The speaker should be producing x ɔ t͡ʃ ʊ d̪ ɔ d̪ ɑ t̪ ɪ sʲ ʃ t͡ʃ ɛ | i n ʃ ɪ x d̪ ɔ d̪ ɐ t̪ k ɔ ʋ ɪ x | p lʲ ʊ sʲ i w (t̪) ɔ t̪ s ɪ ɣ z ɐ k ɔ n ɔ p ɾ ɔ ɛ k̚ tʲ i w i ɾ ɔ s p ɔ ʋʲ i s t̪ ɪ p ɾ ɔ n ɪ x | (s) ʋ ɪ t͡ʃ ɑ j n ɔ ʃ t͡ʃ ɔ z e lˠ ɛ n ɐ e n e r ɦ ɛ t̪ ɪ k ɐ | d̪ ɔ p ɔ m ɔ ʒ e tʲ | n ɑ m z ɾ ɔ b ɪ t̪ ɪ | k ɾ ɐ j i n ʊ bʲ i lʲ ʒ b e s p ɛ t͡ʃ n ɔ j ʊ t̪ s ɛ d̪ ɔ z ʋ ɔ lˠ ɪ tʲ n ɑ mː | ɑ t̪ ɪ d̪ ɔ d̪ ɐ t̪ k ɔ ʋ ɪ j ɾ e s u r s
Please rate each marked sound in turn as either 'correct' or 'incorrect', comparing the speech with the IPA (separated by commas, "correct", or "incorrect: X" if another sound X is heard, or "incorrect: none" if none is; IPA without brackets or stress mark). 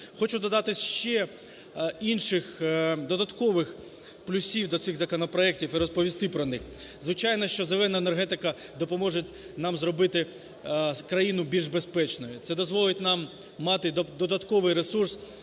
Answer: incorrect: d̪, incorrect: z